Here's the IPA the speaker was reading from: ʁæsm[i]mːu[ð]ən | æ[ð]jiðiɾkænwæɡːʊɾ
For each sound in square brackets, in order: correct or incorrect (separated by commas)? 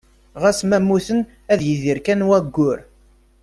incorrect, incorrect, correct